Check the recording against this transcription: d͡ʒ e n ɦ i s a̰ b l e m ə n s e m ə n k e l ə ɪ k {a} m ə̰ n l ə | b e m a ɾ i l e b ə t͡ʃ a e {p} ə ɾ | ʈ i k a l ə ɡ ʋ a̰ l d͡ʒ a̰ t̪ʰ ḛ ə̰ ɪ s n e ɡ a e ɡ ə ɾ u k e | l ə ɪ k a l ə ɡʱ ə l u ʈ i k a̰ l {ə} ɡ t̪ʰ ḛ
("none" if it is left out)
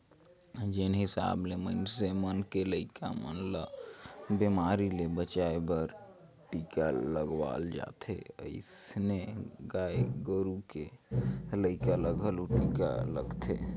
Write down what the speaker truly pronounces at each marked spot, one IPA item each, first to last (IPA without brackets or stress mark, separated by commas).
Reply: a, b, ə